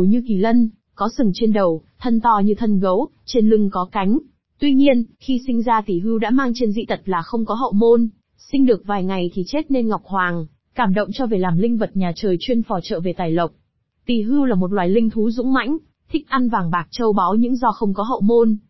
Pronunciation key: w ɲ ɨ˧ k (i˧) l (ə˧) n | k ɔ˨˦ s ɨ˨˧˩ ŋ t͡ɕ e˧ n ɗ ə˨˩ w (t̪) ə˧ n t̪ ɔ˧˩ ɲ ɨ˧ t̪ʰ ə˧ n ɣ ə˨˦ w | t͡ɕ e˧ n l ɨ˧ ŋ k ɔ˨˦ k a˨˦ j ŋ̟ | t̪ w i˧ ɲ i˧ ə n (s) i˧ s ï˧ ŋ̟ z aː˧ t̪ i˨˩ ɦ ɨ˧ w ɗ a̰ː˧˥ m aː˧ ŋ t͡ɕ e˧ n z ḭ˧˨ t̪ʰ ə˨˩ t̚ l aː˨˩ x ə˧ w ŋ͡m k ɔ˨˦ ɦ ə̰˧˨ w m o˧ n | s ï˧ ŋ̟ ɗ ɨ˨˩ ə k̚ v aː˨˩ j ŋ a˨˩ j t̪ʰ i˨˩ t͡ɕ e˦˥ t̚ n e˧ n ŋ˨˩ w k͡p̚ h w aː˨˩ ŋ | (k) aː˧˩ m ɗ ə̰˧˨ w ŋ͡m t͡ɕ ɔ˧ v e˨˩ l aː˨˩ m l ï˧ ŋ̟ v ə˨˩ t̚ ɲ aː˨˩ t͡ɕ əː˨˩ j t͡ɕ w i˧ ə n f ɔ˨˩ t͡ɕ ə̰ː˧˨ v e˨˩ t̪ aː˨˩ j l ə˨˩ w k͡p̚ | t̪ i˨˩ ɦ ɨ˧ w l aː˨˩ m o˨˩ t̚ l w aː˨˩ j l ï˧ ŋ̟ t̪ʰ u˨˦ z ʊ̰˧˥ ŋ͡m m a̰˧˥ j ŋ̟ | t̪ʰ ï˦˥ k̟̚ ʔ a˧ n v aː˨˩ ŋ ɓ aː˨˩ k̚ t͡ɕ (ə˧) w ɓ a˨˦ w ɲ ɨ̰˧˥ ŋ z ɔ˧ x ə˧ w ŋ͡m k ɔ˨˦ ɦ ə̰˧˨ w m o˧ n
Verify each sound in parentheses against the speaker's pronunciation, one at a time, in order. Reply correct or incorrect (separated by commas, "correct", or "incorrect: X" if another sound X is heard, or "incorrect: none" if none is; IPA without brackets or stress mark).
incorrect: i˧˩, correct, incorrect: t̪ʰ, incorrect: x, correct, correct